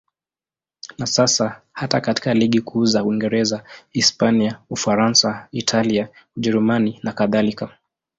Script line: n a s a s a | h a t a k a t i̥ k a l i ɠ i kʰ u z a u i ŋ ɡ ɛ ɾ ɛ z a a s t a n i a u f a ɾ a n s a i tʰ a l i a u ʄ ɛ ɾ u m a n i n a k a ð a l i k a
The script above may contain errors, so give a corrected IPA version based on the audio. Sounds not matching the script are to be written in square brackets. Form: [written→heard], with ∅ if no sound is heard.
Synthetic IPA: n a s a s a | h a t a k a t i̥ k a l i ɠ i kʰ u z a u i ŋ ɡ ɛ ɾ ɛ z a [a→i] s [t→p] a n i a u f a ɾ a n s a i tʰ a l i a u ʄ ɛ ɾ u m a n i n a k a ð a l i k a

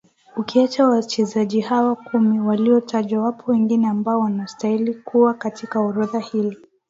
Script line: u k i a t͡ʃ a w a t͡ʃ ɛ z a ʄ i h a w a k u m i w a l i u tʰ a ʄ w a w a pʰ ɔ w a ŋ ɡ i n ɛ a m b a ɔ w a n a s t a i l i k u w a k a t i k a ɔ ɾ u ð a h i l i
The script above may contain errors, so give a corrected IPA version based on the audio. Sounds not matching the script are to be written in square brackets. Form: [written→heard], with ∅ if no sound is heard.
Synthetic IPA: u k i a t͡ʃ a w a t͡ʃ ɛ z a ʄ i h a w a k u m i w a l i [u→ɔ] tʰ a ʄ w a w a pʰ ɔ w [a→ɛ] ŋ ɡ i n ɛ a m b a ɔ w a n a s t a i l i k u w a k a t i k a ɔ ɾ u ð a h i l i

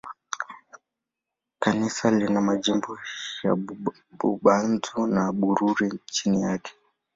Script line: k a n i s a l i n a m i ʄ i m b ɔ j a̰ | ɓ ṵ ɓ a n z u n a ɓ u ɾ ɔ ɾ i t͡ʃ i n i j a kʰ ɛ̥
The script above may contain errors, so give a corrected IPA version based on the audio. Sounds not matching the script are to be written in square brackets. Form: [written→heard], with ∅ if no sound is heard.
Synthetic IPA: k a n i s a l i n a m [i→a] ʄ i m b ɔ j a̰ | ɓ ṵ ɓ a n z u n a ɓ u ɾ [ɔ→u] ɾ i t͡ʃ i n i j a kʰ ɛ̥

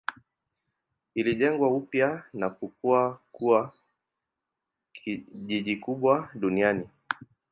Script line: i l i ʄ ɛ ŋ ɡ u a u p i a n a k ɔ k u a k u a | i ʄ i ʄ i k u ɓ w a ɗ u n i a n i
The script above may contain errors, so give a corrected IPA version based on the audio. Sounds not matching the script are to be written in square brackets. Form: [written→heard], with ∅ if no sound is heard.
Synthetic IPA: i l i ʄ ɛ ŋ ɡ [u→w] a u p [i→j] a n a k [ɔ→u] k u a k u a | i ʄ i ʄ i k u ɓ w a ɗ u n i a n i

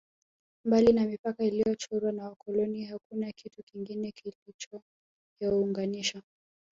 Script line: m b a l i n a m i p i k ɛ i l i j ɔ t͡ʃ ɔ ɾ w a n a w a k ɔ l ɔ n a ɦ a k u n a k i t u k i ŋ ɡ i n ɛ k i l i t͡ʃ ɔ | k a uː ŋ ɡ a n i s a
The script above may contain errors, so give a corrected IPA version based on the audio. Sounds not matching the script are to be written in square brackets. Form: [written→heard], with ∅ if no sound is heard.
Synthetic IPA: m b a l i n a m i p [i→a] k [ɛ→a] i l i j ɔ t͡ʃ ɔ ɾ w a n a w a k ɔ l ɔ n [a→i] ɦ a k u n a k i t u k i ŋ ɡ i n ɛ k i l i t͡ʃ ɔ | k a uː ŋ ɡ a n i [s→ʃ] a

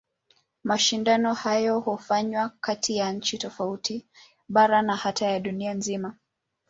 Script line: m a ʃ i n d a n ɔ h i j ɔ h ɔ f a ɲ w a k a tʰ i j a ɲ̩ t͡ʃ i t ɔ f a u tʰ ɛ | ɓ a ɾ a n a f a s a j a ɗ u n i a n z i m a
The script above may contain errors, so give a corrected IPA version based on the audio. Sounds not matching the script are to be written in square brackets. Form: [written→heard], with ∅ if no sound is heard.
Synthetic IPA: m a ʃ i n d a n ɔ h [i→a] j ɔ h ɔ f a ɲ w a k a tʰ i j a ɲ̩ t͡ʃ i t ɔ f a u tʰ [ɛ→i] | ɓ a ɾ a n a [f→h] a [s→t] a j a ɗ u n i a n z i m a

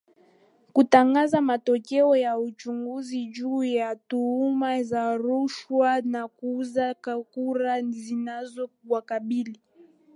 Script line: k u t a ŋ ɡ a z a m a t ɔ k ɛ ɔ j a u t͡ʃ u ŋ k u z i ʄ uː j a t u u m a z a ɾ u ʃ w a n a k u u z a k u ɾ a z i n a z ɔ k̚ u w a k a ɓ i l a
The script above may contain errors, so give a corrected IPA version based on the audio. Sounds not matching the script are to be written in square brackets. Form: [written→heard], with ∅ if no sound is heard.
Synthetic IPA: k u t a ŋ ɡ a z a m a t ɔ k ɛ ɔ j a u t͡ʃ u ŋ [k→ɡ] u z i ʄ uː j a t u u m a z a ɾ u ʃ w a n a k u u z a k u ɾ a z i n a z ɔ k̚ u w a k a ɓ i l [a→i]

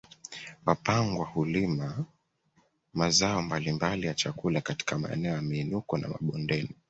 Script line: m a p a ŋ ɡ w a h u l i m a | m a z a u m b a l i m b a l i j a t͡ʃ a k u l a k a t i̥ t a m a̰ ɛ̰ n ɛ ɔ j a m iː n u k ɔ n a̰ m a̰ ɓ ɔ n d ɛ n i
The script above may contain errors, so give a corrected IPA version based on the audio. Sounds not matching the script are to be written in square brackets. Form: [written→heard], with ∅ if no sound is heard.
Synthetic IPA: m a p a ŋ ɡ w a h u l i m a | m a z a [u→ɔ] m b a l i m b a l i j a t͡ʃ a k u l a k a t i̥ [t→k] a m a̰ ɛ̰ n ɛ ɔ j a m iː n u k ɔ n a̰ m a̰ ɓ ɔ n d ɛ n i

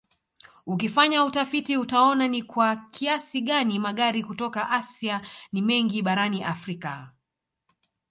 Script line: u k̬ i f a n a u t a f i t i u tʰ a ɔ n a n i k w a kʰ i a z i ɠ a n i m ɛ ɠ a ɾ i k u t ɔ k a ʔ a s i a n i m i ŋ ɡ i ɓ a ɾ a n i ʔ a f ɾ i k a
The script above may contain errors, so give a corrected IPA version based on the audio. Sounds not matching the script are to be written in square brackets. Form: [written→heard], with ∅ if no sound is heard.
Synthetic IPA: u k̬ i f a [n→ɲ] a u t a f i t i u [tʰ→t] a ɔ n a n i k w a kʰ i a [z→s] i ɠ a n i m [ɛ→a] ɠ a ɾ i k u t ɔ k a ʔ a s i a n i m [i→ɛ] ŋ ɡ i ɓ a ɾ a n i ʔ a f ɾ i k a

